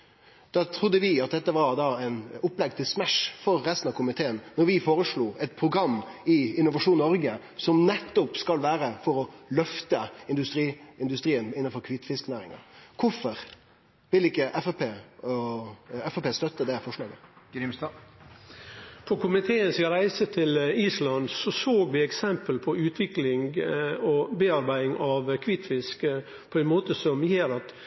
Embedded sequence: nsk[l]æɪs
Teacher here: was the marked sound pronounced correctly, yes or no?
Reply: no